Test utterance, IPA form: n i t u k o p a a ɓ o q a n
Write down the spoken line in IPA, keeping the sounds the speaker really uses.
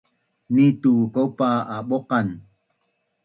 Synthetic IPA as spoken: n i t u k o p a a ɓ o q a n